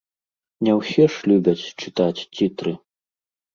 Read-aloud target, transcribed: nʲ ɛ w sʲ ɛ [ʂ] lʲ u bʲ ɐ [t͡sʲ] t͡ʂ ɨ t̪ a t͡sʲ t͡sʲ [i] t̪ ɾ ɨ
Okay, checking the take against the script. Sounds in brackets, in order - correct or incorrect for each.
correct, correct, correct

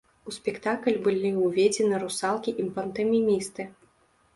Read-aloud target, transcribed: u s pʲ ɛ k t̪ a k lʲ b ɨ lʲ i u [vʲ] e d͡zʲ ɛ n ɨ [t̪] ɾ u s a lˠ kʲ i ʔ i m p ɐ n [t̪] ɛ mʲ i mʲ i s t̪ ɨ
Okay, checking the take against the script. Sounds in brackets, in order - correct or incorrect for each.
correct, incorrect: none, correct

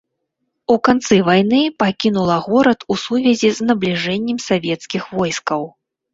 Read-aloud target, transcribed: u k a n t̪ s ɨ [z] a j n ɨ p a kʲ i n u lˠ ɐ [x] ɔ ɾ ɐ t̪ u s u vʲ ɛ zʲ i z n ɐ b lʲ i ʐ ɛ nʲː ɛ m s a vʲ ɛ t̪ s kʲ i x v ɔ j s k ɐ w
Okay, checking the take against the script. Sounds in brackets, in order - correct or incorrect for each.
incorrect: v, incorrect: ɣ

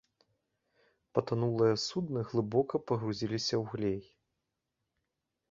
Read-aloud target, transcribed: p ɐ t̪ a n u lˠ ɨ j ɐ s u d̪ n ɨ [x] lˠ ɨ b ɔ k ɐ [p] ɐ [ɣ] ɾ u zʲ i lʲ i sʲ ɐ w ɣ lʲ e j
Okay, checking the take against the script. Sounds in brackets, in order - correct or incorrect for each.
incorrect: ɣ, correct, correct

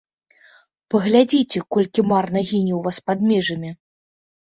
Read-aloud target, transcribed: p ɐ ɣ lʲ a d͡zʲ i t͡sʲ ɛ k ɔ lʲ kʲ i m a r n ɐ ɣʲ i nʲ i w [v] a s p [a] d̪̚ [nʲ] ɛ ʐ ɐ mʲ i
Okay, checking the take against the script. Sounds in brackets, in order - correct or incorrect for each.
correct, correct, incorrect: mʲ

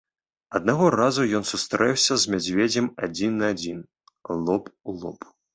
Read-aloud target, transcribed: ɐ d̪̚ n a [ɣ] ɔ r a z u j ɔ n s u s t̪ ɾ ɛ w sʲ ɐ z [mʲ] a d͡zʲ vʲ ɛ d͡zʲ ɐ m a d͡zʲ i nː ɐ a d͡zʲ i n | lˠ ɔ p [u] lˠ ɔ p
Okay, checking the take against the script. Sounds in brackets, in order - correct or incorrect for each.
correct, correct, correct

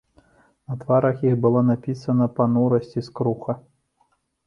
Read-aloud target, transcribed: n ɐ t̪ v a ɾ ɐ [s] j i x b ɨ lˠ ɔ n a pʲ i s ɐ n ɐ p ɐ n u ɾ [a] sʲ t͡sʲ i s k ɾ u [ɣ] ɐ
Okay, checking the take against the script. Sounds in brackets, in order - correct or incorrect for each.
incorrect: x, incorrect: ɐ, incorrect: x

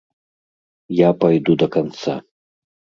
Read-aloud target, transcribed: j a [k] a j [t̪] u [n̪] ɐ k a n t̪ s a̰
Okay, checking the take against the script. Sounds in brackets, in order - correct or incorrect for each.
incorrect: p, incorrect: d̪, incorrect: d̪

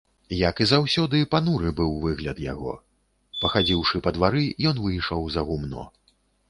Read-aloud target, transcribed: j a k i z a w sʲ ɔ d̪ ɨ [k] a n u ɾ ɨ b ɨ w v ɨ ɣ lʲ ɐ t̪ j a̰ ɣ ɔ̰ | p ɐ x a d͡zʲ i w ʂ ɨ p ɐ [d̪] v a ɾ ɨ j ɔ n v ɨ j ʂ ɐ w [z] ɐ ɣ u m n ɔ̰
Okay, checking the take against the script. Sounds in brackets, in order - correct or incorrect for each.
incorrect: p, correct, correct

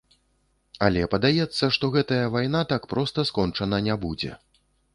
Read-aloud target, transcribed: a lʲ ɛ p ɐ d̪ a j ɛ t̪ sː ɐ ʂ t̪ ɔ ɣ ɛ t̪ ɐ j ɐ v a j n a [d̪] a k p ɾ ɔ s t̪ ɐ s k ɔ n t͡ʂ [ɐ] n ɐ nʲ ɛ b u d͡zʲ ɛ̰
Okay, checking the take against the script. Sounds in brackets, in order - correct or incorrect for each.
incorrect: t̪, correct

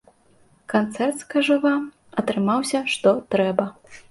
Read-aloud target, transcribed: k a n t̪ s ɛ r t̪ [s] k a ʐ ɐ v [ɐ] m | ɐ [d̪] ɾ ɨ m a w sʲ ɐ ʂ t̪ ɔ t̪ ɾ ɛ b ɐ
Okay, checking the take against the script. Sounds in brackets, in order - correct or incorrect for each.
correct, incorrect: a, incorrect: t̪

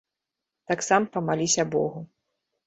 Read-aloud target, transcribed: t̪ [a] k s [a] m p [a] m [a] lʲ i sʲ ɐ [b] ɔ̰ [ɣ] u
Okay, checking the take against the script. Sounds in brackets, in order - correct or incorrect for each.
correct, correct, incorrect: ɐ, correct, correct, correct

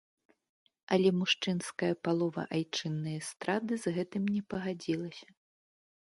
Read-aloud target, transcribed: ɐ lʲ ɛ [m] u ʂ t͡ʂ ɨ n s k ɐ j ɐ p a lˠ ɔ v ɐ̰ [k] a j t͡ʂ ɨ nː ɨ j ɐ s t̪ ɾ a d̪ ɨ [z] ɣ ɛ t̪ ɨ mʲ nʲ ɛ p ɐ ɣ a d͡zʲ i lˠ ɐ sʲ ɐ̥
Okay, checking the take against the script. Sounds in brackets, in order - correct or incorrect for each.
correct, incorrect: ʔ, correct

